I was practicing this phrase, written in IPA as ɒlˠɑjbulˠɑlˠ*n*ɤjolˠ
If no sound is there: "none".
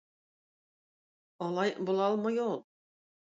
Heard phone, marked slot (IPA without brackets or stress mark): m